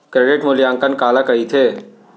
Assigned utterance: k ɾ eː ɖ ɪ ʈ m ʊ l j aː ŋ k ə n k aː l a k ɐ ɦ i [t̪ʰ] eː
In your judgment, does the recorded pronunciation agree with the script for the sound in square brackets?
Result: yes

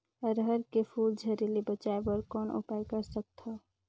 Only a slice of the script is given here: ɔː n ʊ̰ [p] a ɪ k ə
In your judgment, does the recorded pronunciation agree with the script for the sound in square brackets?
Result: yes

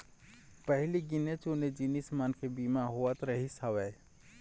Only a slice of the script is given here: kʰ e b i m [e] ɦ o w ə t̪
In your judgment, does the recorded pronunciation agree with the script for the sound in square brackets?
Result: no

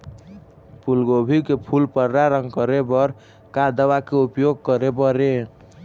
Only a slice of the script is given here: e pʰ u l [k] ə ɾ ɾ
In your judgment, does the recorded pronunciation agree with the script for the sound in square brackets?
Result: no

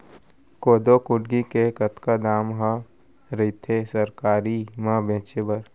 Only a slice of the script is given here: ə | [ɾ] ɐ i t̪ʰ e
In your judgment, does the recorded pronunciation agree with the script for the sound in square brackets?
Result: yes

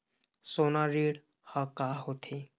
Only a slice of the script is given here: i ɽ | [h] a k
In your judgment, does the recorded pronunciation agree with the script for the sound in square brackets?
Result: yes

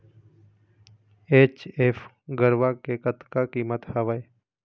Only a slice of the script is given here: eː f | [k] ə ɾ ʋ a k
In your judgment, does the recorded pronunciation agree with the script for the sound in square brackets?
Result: no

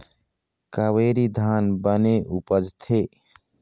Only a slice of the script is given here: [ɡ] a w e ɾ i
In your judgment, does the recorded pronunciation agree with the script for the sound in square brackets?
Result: no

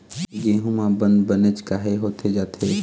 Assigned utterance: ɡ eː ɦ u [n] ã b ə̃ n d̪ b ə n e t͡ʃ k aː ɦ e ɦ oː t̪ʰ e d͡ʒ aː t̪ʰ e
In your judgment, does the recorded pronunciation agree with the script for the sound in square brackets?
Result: no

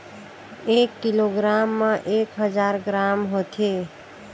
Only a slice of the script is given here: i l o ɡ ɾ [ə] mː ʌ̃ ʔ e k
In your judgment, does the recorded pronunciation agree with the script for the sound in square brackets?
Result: no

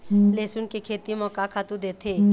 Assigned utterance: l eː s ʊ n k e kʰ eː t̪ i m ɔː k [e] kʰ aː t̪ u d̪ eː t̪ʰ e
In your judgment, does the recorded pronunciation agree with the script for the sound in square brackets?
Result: no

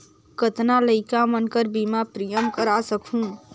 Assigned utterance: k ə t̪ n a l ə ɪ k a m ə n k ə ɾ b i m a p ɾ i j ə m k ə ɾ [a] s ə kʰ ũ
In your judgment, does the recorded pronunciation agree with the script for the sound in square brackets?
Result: yes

